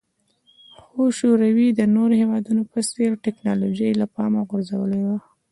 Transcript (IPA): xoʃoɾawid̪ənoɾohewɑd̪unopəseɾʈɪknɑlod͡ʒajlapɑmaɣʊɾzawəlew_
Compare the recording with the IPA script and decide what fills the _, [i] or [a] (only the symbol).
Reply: a